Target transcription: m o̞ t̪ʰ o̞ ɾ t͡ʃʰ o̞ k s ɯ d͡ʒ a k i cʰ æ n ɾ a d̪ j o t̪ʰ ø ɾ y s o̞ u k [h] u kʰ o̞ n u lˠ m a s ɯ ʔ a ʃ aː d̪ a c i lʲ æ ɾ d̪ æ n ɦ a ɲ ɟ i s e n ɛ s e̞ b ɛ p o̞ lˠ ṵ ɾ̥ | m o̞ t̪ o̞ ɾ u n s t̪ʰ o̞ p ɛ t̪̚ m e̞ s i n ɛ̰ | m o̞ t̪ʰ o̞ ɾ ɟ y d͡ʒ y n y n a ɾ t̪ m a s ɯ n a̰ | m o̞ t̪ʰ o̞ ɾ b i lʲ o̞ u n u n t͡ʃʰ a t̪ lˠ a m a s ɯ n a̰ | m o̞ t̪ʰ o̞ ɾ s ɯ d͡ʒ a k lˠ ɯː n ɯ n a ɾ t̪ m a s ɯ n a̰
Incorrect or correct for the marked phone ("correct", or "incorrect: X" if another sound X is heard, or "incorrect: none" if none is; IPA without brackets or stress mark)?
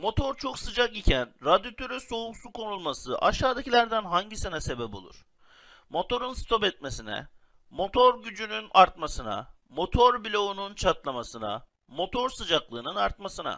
incorrect: s